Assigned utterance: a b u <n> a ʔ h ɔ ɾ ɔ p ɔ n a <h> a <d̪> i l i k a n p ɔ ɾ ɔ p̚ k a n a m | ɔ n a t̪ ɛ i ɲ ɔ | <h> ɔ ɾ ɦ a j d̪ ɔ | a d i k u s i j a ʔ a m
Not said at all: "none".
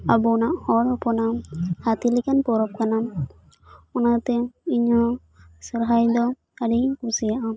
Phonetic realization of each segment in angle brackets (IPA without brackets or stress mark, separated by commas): n, h, t̪, s